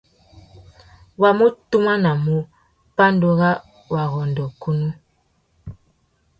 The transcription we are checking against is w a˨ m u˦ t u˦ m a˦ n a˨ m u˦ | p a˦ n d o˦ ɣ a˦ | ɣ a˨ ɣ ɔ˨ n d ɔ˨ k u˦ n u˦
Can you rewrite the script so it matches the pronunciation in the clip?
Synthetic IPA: w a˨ m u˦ t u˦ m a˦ n a˨ m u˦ | p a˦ n d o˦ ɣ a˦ | w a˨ ɣ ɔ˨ n d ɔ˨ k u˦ n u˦